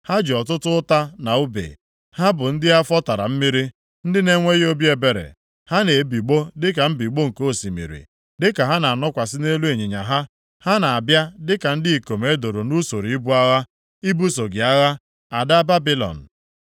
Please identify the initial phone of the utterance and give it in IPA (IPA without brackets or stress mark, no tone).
h